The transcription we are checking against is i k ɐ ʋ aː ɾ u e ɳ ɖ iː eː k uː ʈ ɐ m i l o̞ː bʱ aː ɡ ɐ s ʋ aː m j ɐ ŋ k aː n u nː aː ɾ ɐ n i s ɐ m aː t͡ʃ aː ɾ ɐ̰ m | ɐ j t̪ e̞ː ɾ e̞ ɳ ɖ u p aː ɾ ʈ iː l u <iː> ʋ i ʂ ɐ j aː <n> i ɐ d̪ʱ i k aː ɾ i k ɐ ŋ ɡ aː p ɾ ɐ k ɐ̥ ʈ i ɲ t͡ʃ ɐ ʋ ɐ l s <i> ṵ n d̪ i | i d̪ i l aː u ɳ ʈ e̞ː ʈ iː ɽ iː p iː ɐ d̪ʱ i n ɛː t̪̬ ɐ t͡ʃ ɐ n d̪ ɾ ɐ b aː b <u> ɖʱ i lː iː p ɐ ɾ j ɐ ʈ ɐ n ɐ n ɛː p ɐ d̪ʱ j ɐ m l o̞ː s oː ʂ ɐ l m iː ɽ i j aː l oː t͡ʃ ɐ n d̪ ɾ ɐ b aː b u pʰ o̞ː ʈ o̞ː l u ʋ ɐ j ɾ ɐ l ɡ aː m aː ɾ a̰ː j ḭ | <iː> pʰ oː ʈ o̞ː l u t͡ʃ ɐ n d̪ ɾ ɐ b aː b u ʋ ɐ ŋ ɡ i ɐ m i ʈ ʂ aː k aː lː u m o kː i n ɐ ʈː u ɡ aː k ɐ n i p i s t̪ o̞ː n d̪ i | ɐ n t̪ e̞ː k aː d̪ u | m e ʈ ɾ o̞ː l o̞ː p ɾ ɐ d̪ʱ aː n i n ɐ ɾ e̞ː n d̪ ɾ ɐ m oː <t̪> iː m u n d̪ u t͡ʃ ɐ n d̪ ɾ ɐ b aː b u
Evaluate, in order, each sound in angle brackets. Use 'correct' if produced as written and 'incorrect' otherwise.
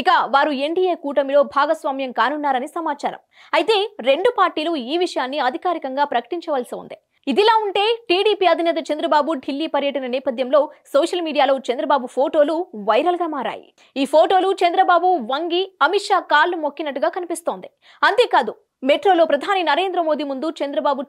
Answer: correct, incorrect: nː, correct, correct, correct, incorrect: d̪

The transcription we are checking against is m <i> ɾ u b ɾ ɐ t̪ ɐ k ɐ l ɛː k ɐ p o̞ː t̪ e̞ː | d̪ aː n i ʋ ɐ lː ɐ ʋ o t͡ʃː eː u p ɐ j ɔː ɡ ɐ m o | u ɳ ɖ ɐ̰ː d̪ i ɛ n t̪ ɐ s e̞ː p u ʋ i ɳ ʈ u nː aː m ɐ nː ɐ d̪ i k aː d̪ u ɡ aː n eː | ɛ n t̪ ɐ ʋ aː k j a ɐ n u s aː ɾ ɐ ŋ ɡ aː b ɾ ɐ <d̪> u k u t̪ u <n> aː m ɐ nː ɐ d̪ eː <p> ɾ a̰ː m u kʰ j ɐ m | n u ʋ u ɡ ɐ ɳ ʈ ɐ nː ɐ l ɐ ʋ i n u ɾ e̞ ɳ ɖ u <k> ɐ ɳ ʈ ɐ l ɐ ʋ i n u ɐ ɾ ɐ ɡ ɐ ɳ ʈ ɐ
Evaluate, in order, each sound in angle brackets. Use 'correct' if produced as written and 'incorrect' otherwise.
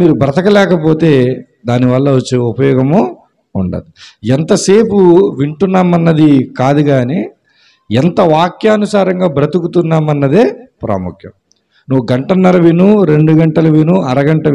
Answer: incorrect: iː, incorrect: t̪, incorrect: nː, correct, incorrect: ɡ

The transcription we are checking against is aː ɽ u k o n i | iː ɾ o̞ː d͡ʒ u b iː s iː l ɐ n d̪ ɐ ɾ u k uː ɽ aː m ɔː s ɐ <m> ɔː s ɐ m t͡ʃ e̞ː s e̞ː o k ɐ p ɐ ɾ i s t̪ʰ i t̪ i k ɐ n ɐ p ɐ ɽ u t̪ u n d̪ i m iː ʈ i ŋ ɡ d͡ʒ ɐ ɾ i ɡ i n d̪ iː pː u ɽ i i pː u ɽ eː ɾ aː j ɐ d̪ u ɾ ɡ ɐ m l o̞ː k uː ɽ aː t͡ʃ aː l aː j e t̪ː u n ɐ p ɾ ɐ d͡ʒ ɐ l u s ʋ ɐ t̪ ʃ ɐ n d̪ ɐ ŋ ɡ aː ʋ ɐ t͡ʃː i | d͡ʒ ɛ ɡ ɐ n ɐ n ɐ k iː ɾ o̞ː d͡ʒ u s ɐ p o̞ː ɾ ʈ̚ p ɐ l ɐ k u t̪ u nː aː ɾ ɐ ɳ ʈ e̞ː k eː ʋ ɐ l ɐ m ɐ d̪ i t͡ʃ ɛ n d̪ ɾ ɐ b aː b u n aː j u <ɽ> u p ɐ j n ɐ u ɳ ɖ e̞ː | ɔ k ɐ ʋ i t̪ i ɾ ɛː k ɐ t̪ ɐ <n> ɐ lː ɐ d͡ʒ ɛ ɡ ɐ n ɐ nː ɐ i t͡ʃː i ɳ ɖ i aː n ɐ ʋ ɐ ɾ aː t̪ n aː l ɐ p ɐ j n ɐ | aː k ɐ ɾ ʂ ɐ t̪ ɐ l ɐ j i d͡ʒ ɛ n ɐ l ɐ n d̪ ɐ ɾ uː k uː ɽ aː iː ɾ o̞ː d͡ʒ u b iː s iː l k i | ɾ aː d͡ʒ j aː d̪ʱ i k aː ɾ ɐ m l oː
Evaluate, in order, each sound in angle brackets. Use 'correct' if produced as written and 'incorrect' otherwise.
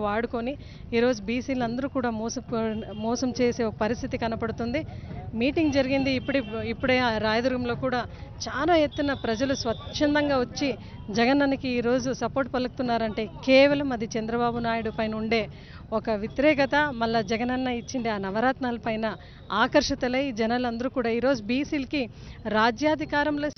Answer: correct, correct, incorrect: m

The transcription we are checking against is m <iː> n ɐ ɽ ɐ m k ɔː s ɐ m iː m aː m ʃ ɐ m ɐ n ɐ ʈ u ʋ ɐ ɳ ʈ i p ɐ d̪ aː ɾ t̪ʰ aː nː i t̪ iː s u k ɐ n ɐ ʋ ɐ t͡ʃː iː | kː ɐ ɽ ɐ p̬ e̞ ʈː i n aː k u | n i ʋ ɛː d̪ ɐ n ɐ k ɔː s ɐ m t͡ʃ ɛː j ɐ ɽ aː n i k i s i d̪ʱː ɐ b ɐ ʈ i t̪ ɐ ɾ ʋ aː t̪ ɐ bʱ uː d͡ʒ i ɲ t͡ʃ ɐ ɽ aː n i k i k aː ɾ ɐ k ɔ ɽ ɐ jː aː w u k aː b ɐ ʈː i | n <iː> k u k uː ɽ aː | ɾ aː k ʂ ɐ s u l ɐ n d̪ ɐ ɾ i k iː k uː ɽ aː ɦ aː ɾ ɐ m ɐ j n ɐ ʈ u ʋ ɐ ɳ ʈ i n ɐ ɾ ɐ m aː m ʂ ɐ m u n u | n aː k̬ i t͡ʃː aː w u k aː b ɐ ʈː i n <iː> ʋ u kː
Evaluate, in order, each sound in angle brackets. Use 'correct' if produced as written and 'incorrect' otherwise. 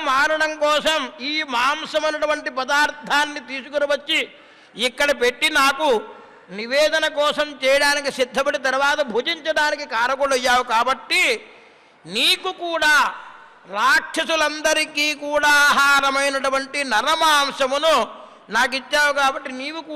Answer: incorrect: aː, correct, correct

